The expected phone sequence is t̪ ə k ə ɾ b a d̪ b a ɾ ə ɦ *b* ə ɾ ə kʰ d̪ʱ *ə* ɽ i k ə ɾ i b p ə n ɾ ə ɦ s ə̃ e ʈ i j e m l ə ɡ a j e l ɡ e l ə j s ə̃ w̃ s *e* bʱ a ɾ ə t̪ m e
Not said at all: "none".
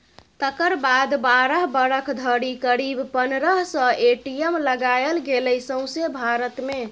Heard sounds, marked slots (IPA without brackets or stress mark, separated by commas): b, ə, e